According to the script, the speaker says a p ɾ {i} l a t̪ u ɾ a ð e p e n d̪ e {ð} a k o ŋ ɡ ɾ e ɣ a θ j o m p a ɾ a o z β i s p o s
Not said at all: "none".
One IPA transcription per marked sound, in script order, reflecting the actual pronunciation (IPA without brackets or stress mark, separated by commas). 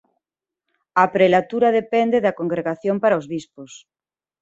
e, ð